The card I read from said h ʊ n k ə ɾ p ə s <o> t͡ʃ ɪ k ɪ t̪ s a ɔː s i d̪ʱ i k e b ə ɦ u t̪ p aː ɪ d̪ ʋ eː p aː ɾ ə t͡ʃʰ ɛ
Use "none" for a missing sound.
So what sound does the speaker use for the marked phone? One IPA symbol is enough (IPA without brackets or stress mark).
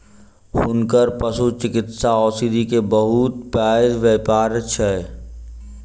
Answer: u